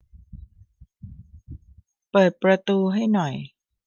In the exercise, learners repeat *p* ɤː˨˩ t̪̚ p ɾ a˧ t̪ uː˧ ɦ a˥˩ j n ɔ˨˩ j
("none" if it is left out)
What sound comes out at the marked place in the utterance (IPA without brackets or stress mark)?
p